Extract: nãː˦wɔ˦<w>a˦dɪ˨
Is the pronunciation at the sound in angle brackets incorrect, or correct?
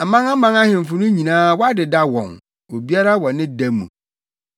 incorrect